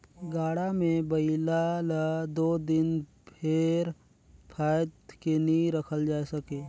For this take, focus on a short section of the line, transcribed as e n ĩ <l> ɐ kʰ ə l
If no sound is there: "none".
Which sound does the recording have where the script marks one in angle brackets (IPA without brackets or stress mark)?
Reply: ɾ